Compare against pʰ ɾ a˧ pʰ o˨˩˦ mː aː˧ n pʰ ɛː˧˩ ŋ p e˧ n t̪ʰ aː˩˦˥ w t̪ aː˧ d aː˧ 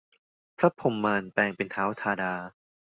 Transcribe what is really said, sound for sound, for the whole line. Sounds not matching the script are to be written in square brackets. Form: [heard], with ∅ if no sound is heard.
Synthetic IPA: pʰ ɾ [a˦˥] pʰ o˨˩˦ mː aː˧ n [p] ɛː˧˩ ŋ p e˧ n t̪ʰ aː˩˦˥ w [t̪ʰ] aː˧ d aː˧